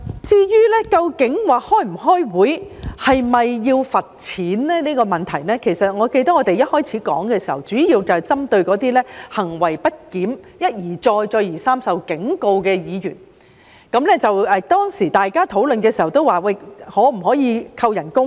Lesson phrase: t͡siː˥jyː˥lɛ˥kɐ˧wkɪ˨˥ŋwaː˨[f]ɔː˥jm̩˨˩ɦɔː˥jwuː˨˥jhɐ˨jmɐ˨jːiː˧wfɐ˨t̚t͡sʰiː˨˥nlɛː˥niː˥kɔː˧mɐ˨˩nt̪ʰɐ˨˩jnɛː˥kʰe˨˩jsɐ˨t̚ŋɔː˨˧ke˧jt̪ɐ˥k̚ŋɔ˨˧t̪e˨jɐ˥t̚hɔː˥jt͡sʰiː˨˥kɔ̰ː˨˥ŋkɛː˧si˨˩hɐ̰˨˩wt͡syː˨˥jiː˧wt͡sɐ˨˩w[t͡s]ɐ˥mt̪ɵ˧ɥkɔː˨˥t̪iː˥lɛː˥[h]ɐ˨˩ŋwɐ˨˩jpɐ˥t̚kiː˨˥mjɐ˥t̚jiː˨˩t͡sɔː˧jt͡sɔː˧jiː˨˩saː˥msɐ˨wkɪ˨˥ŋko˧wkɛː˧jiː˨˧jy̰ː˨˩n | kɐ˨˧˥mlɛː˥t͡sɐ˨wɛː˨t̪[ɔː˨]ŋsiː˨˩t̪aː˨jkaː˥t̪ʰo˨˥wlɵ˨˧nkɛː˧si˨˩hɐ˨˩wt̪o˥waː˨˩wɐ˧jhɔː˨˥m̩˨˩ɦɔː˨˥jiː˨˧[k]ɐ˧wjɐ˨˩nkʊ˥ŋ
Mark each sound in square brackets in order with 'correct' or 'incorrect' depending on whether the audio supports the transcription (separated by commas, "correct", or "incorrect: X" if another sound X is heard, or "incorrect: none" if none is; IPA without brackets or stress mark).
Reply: incorrect: h, correct, correct, incorrect: ɔː˥, incorrect: kʰ